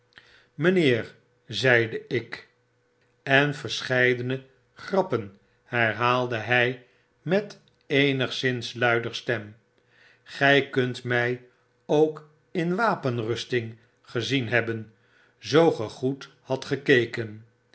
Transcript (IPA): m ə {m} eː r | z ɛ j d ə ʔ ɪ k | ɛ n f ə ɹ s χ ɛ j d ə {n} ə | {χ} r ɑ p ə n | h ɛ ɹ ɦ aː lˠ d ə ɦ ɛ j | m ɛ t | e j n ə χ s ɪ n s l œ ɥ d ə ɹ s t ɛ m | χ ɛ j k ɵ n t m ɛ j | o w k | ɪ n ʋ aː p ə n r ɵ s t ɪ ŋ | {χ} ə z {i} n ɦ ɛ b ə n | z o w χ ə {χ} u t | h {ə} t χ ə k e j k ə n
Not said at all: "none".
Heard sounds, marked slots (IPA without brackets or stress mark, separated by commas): n, n, χ, χ, i, χ, ɑ